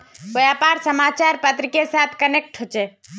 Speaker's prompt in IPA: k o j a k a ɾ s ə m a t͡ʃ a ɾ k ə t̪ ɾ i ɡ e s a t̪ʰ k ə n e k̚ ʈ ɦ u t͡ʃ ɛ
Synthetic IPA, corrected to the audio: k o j a p a ɾ s ə m a t͡ʃ a ɾ p ə t̪ ɾ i k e s a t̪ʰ k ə n e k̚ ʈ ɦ o t͡ʃ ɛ